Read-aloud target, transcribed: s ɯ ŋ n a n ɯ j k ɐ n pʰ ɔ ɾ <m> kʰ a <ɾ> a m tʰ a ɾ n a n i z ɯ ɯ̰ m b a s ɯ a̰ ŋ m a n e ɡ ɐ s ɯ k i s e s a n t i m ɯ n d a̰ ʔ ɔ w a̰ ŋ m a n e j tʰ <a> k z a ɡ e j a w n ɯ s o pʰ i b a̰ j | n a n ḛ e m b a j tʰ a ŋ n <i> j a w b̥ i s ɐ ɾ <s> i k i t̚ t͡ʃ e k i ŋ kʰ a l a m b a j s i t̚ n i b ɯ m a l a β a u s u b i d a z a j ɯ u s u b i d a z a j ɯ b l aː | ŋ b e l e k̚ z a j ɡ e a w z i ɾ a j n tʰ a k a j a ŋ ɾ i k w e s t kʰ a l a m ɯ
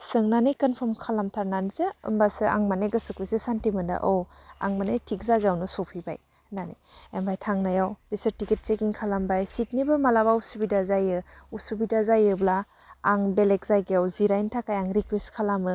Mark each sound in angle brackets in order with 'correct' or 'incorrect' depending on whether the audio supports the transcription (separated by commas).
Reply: correct, incorrect, incorrect, incorrect, incorrect